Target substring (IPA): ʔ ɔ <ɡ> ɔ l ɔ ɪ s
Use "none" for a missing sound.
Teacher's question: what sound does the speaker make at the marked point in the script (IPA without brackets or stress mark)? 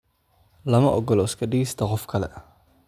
ɡ